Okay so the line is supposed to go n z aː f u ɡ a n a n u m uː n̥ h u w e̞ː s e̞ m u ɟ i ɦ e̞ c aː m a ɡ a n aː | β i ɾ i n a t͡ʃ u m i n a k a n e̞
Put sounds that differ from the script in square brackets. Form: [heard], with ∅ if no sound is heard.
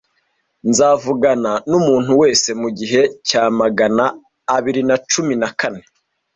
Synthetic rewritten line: n z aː [v] u ɡ a n a n u m uː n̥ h u w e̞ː s e̞ m u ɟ i ɦ e̞ c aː m a ɡ a n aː | β i ɾ i n a t͡ʃ u m i n a k a n e̞